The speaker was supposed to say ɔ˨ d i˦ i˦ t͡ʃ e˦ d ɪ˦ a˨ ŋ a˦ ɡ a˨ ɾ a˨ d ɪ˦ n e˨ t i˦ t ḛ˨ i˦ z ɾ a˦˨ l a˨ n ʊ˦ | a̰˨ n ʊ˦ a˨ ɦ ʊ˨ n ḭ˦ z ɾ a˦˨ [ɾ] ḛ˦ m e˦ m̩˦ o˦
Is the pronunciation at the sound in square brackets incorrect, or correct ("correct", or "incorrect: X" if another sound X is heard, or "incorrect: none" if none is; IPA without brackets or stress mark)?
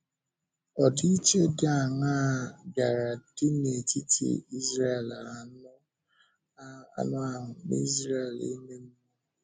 incorrect: l